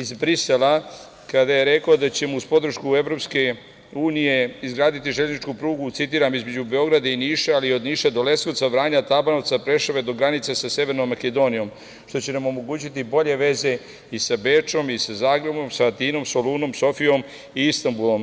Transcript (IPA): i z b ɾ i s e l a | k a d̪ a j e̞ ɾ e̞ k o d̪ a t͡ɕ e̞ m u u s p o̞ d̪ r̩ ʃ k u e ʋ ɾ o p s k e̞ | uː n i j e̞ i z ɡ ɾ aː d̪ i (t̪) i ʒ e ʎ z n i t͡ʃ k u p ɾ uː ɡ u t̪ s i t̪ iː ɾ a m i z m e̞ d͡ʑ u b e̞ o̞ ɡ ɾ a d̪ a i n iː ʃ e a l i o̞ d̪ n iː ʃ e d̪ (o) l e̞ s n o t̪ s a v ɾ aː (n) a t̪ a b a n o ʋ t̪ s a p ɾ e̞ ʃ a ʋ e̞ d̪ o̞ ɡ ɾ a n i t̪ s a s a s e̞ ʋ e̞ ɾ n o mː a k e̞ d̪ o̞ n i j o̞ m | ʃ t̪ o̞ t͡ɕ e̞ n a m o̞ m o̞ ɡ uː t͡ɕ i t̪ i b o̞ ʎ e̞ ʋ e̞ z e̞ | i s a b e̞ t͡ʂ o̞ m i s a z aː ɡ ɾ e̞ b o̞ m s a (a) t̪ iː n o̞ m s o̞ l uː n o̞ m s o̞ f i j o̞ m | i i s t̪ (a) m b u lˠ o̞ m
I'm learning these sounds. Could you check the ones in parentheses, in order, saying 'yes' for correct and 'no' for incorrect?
yes, yes, no, yes, yes

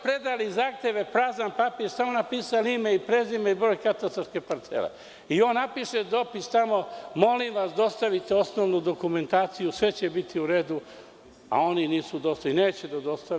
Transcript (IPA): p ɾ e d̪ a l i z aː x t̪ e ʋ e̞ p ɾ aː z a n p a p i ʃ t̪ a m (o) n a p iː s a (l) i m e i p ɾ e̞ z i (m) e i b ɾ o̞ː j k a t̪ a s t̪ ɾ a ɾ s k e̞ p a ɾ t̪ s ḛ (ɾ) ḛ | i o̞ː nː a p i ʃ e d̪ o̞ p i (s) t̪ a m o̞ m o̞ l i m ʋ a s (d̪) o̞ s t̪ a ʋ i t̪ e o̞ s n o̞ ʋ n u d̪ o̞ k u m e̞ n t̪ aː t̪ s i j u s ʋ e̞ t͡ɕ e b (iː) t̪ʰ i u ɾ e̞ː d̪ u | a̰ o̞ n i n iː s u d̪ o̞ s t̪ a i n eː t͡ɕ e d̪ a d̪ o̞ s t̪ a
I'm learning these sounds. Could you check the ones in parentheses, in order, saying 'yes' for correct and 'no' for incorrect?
yes, yes, yes, no, yes, yes, no

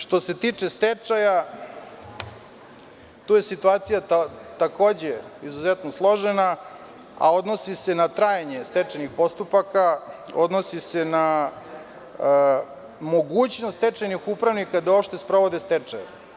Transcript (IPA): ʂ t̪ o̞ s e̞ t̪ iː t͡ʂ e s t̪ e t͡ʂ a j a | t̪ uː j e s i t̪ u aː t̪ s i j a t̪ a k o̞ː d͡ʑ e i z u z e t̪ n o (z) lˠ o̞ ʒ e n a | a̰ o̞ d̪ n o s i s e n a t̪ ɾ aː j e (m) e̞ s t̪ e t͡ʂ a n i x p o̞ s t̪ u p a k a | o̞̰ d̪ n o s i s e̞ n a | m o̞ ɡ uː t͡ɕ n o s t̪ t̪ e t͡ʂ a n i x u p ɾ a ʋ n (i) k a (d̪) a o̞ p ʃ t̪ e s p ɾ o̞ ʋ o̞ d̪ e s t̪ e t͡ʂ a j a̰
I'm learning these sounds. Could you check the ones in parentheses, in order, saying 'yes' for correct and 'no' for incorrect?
no, no, yes, yes

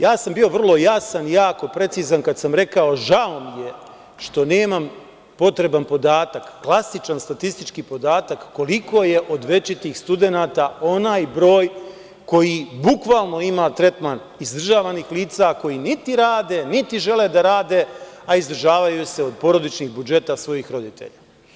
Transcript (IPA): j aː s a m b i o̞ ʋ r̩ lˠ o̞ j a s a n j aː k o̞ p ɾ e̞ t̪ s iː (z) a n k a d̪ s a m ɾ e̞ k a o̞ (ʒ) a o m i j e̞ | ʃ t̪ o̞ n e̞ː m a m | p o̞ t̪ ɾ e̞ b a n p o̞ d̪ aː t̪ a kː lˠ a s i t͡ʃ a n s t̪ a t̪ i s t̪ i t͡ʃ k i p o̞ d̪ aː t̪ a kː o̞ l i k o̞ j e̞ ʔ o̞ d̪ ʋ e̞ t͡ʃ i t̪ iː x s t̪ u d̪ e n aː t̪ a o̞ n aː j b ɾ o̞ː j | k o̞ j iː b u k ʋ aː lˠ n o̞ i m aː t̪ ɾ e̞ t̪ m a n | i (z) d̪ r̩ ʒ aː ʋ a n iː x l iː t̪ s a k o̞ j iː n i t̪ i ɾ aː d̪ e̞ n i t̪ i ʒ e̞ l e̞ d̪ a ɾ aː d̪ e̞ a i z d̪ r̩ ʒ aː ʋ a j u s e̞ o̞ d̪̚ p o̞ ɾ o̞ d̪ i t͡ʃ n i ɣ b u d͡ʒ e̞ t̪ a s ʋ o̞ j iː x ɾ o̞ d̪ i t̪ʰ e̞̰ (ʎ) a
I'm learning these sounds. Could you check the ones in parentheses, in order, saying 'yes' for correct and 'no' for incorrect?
yes, yes, yes, yes

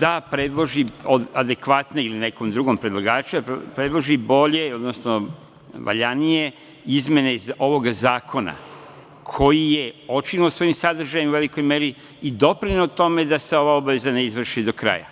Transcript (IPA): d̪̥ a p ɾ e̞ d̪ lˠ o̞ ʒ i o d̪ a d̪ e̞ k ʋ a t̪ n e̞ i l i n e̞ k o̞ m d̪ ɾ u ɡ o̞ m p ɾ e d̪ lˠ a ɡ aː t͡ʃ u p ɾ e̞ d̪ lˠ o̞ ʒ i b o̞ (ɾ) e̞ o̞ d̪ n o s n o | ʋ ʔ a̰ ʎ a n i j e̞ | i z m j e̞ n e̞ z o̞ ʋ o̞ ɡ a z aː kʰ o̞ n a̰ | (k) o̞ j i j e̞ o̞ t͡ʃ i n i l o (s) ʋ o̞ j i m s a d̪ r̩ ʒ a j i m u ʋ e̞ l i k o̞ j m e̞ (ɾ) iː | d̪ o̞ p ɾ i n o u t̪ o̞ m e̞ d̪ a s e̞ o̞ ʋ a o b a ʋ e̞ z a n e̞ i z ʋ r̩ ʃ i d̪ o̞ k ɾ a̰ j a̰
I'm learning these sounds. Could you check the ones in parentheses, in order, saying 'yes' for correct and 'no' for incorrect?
no, no, yes, yes

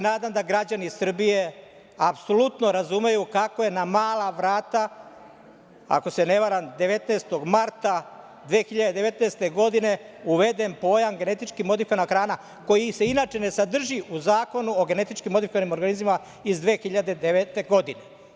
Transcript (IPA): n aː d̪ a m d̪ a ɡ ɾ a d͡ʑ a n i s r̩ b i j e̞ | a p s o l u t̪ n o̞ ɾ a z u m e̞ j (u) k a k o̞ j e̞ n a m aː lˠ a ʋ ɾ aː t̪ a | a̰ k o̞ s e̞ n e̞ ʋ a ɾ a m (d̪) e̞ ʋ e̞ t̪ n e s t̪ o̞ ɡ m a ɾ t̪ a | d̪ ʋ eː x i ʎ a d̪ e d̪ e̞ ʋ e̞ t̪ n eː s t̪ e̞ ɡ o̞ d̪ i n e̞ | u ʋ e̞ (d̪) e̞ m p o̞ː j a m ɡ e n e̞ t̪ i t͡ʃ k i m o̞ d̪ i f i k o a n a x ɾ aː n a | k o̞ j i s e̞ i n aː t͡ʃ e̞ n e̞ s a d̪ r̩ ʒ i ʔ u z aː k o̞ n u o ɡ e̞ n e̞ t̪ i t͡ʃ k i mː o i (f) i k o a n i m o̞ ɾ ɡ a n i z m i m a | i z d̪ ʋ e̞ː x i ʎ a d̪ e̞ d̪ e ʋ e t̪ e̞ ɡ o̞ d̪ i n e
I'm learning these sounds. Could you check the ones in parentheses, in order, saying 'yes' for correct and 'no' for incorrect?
yes, yes, yes, yes

